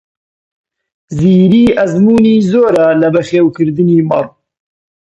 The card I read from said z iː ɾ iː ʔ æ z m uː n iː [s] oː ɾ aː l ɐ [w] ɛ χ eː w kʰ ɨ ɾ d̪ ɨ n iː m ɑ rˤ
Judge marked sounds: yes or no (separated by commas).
no, no